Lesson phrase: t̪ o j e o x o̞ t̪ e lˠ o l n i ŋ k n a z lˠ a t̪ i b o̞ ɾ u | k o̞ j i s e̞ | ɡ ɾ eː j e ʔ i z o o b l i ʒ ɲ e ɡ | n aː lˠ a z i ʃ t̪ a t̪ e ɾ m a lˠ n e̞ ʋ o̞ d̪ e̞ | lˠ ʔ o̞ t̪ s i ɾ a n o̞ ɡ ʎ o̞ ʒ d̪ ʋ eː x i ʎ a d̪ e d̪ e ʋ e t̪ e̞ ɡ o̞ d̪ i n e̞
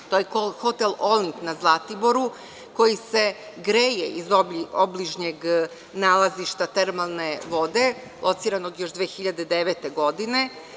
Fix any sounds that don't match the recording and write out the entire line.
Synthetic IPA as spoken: t̪ o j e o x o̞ t̪ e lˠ o l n i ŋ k n a z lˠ a t̪ i b o̞ ɾ u | k o̞ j i s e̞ | ɡ ɾ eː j e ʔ i z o o b l i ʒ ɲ e ɡ | n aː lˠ a z i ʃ t̪ a t̪ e ɾ m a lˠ n e̞ ʋ o̞ d̪ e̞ | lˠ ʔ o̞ t̪ s i ɾ a n o̞ ɡ j o̞ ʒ d̪ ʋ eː x i ʎ a d̪ e d̪ e ʋ e t̪ e̞ ɡ o̞ d̪ i n e̞